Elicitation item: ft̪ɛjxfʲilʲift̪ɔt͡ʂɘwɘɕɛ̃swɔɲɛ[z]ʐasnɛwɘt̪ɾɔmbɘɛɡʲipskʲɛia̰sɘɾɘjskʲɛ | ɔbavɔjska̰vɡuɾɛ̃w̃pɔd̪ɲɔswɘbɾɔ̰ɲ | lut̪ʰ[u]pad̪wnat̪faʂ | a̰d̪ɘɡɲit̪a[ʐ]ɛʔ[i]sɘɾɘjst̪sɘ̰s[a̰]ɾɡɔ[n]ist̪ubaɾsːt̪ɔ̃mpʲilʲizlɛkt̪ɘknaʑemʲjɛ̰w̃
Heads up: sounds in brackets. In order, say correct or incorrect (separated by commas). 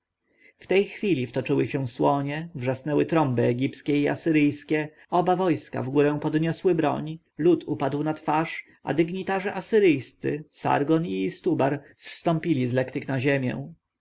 incorrect, correct, correct, incorrect, correct, correct